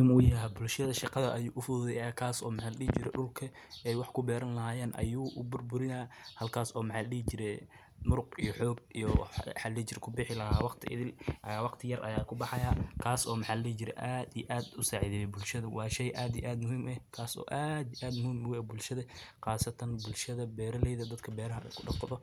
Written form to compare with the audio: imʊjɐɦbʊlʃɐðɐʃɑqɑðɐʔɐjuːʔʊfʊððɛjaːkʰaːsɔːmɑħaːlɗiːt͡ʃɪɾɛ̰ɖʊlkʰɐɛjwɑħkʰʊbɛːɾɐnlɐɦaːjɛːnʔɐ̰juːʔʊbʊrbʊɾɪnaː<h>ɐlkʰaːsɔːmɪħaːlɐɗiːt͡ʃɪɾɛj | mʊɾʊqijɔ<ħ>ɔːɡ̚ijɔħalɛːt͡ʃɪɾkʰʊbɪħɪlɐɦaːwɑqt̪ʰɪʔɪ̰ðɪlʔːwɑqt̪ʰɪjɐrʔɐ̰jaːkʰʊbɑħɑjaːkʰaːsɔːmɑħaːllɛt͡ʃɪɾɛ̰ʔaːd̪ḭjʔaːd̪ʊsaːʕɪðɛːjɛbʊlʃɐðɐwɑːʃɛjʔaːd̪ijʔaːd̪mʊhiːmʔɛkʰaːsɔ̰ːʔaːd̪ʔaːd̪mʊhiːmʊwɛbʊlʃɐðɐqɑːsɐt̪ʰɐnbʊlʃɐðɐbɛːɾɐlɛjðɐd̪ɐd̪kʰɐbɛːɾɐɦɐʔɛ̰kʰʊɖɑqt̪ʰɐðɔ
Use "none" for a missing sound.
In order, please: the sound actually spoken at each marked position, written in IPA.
h, ħ

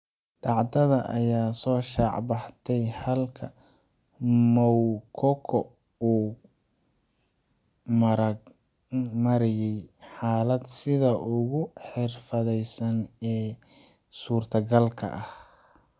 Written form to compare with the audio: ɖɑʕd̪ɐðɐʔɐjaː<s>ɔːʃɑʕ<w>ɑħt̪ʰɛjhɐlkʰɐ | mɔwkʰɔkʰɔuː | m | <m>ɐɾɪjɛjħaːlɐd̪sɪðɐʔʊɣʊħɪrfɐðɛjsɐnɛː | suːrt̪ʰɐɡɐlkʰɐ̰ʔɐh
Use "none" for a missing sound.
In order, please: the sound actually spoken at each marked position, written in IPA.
s, b, m

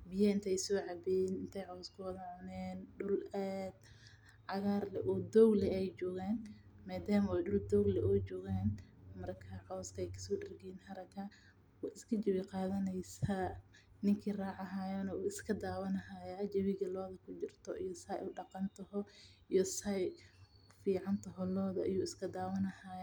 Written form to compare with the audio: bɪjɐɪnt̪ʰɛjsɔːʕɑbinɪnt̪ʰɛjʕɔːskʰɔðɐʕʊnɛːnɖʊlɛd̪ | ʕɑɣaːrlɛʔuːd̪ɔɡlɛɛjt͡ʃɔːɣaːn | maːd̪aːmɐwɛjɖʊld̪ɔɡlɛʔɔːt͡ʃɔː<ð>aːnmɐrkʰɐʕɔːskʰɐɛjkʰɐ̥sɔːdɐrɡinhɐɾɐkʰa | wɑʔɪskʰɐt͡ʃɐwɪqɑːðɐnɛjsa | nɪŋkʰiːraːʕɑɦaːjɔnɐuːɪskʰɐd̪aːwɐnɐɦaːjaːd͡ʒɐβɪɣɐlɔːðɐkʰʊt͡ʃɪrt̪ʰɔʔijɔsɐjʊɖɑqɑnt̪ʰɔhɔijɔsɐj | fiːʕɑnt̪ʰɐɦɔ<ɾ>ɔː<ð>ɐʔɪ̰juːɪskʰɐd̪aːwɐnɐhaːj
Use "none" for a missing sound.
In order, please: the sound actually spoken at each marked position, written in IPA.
ɣ, l, ð

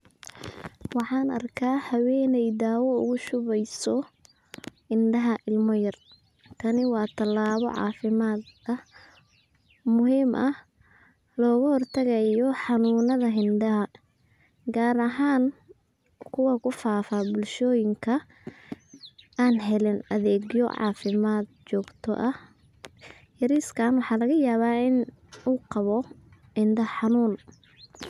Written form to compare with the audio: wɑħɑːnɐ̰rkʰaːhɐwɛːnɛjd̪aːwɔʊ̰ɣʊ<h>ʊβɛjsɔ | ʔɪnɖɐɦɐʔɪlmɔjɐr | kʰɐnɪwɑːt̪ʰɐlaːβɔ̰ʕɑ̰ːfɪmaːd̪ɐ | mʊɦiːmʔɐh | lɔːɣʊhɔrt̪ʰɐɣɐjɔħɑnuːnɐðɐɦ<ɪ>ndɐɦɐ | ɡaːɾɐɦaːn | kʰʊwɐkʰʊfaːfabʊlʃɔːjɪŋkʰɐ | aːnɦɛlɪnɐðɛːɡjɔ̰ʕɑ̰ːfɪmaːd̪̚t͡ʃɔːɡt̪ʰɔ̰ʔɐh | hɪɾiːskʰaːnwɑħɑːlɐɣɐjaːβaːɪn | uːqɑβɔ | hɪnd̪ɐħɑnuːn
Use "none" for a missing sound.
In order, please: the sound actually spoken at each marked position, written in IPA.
ʃ, ɪ

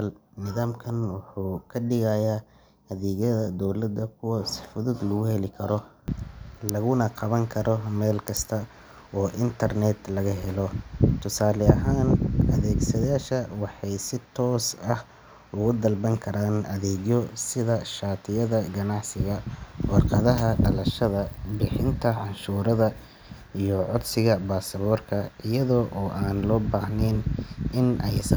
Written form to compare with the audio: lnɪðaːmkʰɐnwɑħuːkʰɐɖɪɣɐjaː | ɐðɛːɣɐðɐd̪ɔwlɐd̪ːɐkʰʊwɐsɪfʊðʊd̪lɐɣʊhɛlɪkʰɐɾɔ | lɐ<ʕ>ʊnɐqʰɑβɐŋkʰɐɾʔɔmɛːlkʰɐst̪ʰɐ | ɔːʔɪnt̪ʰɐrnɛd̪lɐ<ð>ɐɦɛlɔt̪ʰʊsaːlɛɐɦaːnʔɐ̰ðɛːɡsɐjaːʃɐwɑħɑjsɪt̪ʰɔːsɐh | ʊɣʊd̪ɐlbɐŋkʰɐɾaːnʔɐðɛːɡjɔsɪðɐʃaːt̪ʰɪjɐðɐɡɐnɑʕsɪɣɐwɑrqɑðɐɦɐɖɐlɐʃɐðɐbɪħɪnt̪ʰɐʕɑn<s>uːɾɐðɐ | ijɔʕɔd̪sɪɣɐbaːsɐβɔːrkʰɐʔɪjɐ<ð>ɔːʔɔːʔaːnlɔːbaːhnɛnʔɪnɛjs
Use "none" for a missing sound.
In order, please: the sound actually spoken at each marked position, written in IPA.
ɣ, ɣ, ʃ, ð

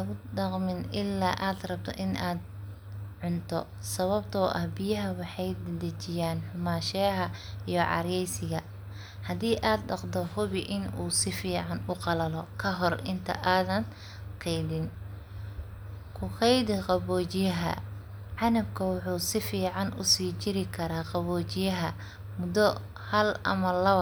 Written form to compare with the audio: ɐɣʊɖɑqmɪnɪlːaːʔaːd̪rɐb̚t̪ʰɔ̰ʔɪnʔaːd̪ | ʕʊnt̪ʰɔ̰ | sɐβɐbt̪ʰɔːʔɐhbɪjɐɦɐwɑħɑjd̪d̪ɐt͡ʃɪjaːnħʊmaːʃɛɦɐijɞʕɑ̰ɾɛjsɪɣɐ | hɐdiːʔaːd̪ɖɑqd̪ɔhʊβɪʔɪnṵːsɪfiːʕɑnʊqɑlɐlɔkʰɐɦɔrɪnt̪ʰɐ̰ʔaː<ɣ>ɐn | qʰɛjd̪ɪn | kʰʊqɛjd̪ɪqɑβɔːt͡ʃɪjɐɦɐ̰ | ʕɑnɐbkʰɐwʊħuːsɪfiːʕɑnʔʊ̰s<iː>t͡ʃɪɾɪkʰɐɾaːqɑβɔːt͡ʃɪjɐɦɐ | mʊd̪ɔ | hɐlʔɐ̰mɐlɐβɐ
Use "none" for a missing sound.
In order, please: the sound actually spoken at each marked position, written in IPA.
ð, iː

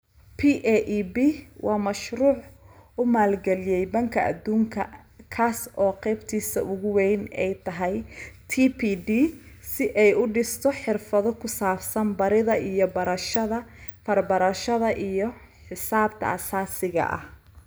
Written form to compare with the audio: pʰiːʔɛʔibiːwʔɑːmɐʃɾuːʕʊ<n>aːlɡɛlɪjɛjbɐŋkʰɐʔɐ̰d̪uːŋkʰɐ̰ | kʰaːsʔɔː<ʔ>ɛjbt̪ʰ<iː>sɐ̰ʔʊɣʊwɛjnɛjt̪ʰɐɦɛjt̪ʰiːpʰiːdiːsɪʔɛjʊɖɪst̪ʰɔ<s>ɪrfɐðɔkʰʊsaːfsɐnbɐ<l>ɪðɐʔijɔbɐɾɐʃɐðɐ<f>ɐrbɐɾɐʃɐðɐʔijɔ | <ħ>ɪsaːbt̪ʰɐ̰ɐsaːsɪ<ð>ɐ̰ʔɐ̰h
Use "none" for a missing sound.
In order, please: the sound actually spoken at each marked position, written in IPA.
m, q, iː, ħ, ɾ, f, ħ, ɣ

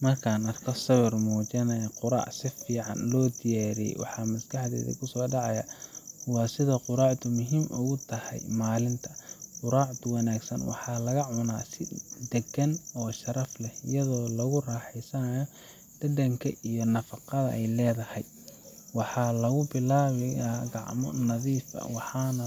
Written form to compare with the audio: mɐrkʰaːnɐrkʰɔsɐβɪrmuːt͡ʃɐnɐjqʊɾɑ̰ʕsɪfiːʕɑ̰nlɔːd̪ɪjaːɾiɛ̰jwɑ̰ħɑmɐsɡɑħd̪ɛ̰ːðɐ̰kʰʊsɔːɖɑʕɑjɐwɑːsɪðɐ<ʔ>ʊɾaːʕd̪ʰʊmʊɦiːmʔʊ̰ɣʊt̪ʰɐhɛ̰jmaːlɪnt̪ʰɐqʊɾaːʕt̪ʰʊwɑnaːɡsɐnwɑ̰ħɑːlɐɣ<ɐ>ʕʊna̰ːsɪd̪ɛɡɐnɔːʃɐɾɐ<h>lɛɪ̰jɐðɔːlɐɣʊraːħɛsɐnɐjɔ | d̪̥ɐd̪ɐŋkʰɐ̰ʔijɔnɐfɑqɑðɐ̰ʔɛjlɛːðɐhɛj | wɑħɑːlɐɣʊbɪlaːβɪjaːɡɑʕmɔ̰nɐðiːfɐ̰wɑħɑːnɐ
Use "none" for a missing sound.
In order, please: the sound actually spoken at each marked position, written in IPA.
q, ɐ, f

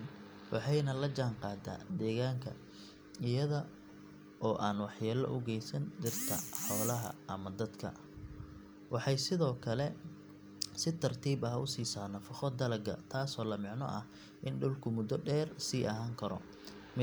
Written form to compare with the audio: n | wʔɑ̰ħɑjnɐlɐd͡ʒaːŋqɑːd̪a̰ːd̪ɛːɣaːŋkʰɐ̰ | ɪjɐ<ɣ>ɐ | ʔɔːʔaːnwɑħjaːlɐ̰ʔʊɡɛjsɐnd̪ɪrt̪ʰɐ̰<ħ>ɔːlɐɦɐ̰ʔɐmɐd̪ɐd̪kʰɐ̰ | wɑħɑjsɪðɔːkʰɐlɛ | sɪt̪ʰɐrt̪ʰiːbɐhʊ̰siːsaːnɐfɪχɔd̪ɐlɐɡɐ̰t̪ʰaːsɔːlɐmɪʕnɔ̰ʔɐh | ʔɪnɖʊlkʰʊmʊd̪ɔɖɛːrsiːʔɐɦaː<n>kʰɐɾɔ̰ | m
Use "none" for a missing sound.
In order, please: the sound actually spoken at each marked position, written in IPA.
ð, ħ, ŋ

